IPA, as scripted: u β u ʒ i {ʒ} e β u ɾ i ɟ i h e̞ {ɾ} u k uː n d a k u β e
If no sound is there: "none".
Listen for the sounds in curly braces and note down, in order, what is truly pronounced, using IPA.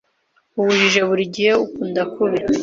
ʒ, none

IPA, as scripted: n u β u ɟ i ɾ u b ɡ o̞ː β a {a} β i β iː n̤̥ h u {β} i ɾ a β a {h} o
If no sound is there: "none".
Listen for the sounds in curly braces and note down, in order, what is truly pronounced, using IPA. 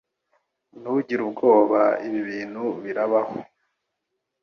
i, β, h

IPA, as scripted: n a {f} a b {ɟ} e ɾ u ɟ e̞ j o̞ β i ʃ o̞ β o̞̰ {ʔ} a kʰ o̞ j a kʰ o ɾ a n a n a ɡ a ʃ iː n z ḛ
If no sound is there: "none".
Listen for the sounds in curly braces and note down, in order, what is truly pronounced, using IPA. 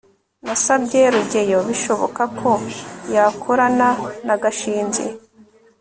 s, ɟ, k

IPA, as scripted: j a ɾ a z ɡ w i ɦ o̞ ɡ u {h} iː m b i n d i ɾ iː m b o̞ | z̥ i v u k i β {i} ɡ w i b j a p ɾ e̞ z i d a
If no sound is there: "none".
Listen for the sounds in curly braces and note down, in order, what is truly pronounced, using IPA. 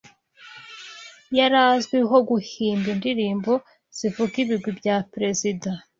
h, i

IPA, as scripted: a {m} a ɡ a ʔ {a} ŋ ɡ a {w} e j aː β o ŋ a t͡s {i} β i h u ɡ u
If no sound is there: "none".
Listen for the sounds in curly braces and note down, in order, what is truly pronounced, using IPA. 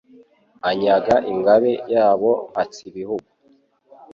ɲ, i, β, i

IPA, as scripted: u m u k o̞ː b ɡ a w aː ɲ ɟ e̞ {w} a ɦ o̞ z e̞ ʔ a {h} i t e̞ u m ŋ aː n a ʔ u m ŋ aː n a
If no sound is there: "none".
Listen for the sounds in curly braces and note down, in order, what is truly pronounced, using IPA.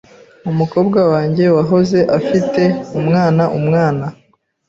w, f

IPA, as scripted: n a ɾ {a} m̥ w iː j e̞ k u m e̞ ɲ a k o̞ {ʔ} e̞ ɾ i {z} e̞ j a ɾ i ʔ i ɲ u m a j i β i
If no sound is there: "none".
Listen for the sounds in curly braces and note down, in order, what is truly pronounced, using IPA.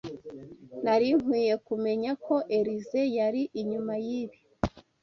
i, ʔ, z

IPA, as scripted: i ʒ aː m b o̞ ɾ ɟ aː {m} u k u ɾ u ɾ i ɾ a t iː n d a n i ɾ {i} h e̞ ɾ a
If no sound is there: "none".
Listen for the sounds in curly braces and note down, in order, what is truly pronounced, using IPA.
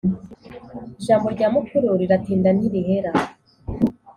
m, i

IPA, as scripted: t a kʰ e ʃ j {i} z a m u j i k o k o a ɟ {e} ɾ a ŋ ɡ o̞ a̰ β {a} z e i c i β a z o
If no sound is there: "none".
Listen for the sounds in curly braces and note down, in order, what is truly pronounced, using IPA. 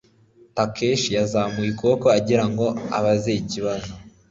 a, i, a

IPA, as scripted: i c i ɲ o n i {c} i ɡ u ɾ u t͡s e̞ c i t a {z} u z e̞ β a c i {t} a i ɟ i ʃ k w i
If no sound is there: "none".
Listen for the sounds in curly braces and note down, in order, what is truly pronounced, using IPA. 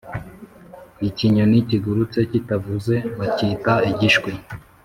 c, v, t

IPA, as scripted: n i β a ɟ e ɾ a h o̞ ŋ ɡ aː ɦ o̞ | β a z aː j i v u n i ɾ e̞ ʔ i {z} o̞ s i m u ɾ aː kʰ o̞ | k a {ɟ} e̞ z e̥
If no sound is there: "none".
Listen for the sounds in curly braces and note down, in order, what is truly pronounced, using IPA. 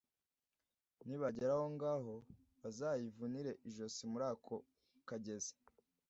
ʒ, ɟ

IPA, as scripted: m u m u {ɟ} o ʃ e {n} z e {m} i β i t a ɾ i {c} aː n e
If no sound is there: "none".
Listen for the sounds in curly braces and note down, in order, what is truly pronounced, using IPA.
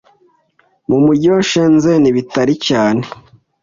ɟ, n, n, c

